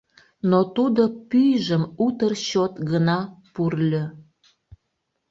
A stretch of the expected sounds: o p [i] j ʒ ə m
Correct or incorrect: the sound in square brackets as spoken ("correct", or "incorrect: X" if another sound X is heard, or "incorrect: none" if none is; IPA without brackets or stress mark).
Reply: incorrect: y